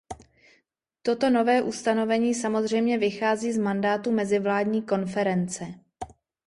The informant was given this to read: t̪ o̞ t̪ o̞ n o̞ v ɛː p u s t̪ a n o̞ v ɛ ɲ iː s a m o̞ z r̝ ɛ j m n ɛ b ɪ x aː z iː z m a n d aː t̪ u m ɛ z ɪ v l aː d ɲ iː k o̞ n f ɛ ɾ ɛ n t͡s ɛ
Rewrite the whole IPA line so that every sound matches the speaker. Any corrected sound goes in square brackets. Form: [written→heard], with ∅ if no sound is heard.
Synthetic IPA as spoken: t̪ o̞ t̪ o̞ n o̞ v ɛː [p→ʔ] u s t̪ a n o̞ v ɛ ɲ iː s a m o̞ z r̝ ɛ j m [n→ɲ] ɛ [b→v] ɪ x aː z iː z m a n d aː t̪ u m ɛ z ɪ v l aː d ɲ iː k o̞ n f ɛ ɾ ɛ n t͡s ɛ